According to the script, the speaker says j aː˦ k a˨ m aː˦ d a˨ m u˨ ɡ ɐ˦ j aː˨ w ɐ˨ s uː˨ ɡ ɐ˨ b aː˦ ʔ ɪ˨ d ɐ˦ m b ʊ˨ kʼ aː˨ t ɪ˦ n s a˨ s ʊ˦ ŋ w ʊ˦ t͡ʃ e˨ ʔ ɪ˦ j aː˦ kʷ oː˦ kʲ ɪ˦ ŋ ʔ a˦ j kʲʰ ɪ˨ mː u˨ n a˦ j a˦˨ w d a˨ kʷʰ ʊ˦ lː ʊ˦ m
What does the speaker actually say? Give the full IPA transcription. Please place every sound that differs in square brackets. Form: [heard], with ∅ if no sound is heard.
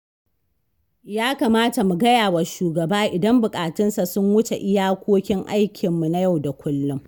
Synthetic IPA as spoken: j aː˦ k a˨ m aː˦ [t] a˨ m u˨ ɡ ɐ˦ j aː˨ w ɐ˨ [ʃ] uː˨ ɡ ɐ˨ b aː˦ ʔ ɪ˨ d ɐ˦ m b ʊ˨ kʼ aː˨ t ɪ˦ n s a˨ s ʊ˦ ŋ w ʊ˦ t͡ʃ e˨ ʔ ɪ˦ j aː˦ kʷ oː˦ kʲ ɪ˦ ŋ ʔ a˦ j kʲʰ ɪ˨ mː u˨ n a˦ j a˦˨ w d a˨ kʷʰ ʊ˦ lː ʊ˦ m